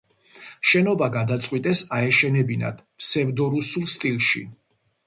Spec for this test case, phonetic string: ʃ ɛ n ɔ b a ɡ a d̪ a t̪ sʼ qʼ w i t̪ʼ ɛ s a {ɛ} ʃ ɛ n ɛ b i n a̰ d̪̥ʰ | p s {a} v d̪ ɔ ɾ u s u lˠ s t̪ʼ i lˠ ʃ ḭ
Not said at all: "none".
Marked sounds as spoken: ɛ, ɛ

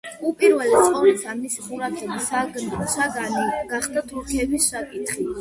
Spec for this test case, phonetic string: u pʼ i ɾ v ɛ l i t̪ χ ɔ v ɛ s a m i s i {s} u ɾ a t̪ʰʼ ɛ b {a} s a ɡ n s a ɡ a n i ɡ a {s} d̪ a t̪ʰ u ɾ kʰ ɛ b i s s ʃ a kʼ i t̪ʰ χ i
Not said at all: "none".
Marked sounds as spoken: χ, i, χ

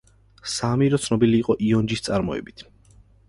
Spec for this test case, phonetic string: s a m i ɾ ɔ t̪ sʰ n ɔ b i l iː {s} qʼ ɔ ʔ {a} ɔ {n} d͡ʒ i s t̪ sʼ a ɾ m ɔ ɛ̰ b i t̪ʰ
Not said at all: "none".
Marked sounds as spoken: none, i, n

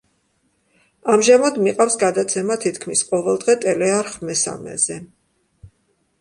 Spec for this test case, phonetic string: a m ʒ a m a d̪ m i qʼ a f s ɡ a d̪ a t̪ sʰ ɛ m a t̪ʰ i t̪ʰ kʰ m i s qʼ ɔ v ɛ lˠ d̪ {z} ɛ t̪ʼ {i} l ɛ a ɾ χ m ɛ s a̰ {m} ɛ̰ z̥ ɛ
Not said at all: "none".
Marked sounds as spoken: ʁ, ɛ, m

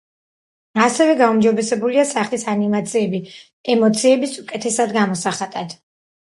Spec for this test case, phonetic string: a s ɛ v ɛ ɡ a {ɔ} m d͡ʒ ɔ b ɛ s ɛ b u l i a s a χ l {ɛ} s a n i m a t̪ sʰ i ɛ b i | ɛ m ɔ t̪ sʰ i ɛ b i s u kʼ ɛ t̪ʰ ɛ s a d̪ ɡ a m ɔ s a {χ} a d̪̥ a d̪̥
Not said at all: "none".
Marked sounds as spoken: u, i, χ

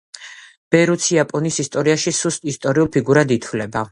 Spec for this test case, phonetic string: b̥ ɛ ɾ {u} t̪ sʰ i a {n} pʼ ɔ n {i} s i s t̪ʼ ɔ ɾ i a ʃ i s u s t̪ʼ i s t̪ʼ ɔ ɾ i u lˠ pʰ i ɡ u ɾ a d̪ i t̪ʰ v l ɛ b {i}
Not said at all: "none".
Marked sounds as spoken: u, none, i, a

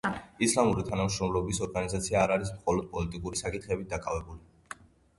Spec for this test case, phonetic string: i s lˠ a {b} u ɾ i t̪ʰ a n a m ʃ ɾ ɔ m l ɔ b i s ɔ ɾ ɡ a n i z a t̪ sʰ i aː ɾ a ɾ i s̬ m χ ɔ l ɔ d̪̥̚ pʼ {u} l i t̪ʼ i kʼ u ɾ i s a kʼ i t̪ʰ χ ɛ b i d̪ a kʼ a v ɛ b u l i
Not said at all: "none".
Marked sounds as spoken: m, ɔ

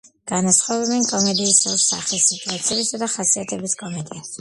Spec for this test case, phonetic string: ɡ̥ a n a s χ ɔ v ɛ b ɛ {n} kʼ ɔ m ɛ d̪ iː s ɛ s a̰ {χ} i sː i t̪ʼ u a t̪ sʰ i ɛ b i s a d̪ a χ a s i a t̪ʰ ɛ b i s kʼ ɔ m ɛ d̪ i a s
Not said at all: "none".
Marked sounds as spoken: n, χ

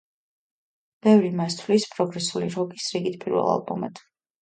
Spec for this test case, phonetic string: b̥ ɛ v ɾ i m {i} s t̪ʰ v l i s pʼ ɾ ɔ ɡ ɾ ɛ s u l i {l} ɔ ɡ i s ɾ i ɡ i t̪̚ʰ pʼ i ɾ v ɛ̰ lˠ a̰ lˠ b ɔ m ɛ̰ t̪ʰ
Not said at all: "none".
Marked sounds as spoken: a, ɾ

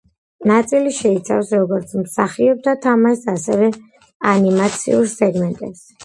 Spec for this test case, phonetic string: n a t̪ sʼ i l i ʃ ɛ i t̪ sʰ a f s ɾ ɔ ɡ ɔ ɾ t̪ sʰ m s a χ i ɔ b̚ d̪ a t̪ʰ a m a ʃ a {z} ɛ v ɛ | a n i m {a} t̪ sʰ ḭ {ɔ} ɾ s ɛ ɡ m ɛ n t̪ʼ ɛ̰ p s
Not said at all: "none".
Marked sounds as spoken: s, a, u

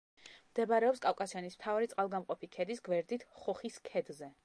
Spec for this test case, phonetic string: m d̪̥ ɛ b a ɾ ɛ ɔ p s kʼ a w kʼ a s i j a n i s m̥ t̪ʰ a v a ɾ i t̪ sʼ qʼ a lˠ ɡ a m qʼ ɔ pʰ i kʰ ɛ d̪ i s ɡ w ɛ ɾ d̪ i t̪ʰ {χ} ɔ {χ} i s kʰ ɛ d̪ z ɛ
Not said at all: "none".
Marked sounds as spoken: χ, χ

